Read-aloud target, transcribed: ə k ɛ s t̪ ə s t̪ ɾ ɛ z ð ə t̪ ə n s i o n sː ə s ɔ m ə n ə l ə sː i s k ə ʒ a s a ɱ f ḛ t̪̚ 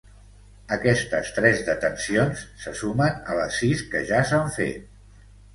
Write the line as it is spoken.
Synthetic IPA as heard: ə k ɛ s t̪ ə s t̪ ɾ ɛ z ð ə t̪ ə n s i o n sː ə s u m ə n ə l ə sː i s k ə ʒ a s a ɱ f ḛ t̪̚

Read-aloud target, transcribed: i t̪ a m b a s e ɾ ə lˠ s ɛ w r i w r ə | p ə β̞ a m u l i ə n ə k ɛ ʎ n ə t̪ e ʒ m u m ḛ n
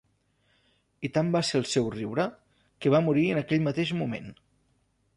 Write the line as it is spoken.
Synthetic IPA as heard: i t̪ a m b a s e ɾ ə lˠ s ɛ w r i w ɾ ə | k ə β̞ a m u ɾ i ə n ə k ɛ ʎ m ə t̪ e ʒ m u m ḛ n

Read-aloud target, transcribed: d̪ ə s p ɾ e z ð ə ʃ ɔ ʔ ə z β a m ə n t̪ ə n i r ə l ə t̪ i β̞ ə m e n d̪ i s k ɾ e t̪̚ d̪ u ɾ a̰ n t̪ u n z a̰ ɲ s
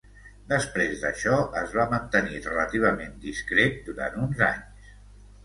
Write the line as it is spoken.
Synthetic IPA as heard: d̪ ə s p ɾ e z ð ə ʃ ɔ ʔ ə z β a m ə n t̪ ə n i r ə l ə t̪ i β̞ ə m e n d̪ i s k ɾ e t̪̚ d̪ u ɾ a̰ n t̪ u n z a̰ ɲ s

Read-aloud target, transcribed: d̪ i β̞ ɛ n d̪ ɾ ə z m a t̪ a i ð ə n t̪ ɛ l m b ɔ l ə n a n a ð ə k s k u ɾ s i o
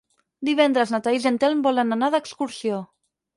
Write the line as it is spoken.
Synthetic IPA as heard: d̪ i β̞ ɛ n d̪ ɾ ə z n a t̪ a i z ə n t̪ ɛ l m b ɔ l ə n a n a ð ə k s k u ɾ s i o

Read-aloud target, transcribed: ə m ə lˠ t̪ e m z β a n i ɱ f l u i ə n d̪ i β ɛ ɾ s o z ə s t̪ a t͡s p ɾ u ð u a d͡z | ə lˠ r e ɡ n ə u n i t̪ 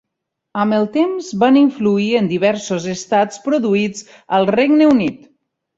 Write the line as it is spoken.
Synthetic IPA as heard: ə m ə lˠ t̪ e m z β a n i ɱ f l u i ə n d̪ i β ɛ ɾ s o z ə s t̪ a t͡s p ɾ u ð u i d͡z | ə lˠ r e ɡ n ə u n i t̪

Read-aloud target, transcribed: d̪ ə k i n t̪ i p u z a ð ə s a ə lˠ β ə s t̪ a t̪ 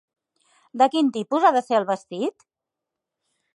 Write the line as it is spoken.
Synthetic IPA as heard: d̪ ə k i n t̪ i p u z a ð ə s e ə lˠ β ə s t̪ i t̪

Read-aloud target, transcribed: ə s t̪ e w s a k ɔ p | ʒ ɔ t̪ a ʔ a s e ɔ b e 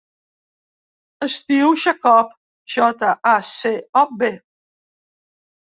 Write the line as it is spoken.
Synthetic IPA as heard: ə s t̪ i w ʃ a k ɔ p | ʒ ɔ t̪ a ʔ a s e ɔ b e

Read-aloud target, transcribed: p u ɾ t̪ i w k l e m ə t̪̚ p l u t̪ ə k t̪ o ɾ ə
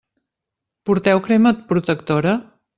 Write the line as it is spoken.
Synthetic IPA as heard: p u ɾ t̪ ɛ w k ɾ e m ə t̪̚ p ɾ u t̪ ə k t̪ o ɾ ə

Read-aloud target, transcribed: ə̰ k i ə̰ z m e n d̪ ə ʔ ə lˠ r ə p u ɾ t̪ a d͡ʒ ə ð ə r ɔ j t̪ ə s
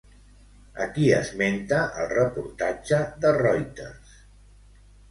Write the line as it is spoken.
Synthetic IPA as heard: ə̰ k i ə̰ z m e n t̪ ə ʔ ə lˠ r ə p u ɾ t̪ a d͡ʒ ə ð ə r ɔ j t̪ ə s

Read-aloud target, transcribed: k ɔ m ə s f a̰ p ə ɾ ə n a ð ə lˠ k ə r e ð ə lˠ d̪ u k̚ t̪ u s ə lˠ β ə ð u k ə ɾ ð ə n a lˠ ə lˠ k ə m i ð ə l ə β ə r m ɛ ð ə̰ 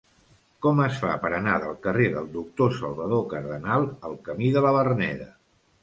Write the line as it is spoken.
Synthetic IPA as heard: k ɔ m ə s f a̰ p ə ɾ ə n a ð ə lˠ k ə r e ð ə lˠ d̪ u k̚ t̪ o s ə lˠ β ə ð o k ə ɾ ð ə n a lˠ ə lˠ k ə m i ð ə l ə β ə r n ɛ ð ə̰

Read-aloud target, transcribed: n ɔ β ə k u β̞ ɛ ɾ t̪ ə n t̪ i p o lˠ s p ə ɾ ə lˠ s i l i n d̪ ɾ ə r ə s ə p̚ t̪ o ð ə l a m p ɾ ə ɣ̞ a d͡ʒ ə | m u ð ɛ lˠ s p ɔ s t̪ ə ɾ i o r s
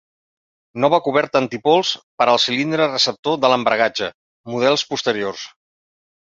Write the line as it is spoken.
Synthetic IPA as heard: n ɔ β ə k u β̞ ɛ ɾ t̪ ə n t̪ i p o lˠ s p ə ɾ ə lˠ s i l i n d̪ ɾ ə r ə s ə p̚ t̪ o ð ə l ə m b ɾ ə ɣ̞ a d͡ʒ ə | m u ð ɛ lˠ s p u s t̪ ə ɾ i o r s

